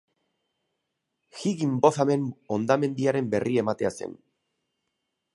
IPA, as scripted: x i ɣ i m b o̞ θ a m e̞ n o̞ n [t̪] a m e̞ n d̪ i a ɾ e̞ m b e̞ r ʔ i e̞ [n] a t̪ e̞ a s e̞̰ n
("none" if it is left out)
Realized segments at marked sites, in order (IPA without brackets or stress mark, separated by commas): d̪, m